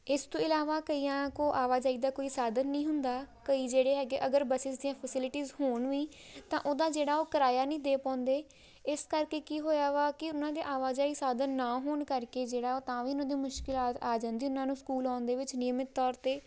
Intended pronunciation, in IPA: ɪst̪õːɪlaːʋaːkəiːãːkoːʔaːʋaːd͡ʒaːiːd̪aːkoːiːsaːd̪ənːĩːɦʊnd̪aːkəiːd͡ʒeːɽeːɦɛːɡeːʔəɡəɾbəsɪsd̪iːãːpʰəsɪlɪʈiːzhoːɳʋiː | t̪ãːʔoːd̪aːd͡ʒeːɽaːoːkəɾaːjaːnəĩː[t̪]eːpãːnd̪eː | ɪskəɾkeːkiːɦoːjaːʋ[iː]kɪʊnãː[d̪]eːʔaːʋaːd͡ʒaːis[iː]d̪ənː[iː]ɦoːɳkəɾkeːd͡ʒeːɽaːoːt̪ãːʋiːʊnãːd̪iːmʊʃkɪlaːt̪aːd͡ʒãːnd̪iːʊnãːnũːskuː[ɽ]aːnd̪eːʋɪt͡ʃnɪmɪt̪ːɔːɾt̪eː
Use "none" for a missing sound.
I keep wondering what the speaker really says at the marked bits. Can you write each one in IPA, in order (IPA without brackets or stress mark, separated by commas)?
d̪, aː, d̪, aː, aː, l